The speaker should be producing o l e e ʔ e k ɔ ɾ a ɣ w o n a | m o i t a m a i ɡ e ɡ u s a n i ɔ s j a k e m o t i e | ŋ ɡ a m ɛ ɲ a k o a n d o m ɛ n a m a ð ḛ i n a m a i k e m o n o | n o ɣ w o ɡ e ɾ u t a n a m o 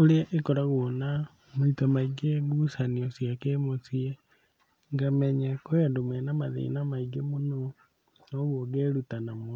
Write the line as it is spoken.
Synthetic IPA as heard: o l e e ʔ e k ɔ ɾ a ɣ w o n a | m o i t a m a i ɡ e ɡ u s a n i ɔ s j a k e m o s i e | ŋ ɡ a m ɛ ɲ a k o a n d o m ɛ n a m a ð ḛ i n a m a i ɡ e m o n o | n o ɣ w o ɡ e ɾ u t a n a m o